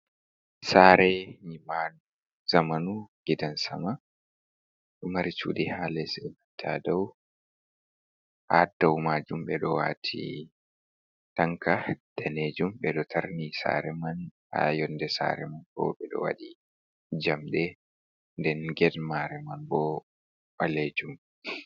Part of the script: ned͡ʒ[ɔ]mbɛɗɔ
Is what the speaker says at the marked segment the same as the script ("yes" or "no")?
no